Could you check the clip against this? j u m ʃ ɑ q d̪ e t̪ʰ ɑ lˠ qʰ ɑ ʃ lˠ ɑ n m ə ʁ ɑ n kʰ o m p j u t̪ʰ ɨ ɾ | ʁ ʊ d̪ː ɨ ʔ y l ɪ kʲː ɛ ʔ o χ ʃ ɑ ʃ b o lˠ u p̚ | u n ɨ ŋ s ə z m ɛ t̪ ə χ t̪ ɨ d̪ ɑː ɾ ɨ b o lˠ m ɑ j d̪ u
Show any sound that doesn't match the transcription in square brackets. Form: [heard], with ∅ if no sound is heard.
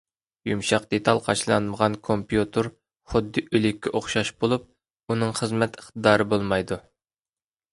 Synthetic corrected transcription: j u m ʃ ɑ q d̪ e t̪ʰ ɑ lˠ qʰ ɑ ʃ lˠ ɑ n m ə ʁ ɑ n kʰ o m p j u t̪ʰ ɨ ɾ | [χ] ʊ d̪ː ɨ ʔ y l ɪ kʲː ɛ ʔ o χ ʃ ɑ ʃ b o lˠ u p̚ | u n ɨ ŋ [χ] ə z m ɛ t̪ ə χ t̪ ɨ d̪ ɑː ɾ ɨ b o lˠ m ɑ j d̪ u